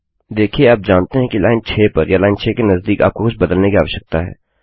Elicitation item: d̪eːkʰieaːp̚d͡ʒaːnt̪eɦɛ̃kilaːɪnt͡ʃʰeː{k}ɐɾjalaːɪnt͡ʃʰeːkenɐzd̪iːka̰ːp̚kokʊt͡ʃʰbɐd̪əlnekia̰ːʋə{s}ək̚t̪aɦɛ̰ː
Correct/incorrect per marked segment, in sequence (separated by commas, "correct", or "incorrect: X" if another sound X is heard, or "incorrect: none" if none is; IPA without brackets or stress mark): incorrect: p, incorrect: ʃ